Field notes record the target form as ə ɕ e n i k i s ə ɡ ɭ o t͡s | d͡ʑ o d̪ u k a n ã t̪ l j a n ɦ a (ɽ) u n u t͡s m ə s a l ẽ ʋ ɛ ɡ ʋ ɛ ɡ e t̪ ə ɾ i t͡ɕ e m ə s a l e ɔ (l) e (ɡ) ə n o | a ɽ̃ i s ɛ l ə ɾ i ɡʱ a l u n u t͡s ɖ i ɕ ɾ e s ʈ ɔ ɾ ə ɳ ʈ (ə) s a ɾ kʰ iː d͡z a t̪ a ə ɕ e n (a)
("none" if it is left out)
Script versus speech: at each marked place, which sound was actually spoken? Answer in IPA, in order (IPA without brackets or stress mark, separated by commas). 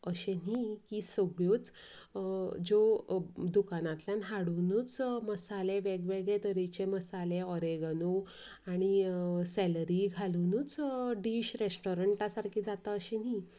ɽ, ɾ, ɡ, a, i